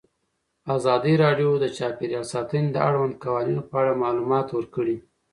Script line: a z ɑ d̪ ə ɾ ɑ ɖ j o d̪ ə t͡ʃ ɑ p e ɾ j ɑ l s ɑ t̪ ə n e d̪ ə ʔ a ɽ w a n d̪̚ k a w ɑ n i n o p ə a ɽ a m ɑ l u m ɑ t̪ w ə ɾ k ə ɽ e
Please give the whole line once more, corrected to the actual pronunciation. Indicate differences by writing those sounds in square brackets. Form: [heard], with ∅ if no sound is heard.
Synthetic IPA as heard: a z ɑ d̪ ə ɾ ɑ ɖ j o d̪ ə t͡ʃ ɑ p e ɾ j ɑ l s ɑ t̪ ə n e d̪ ə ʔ a ɽ w a n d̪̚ k a w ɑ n i n o p ə a ɽ a m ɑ l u m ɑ t̪ w ə ɾ k ə ɽ [i]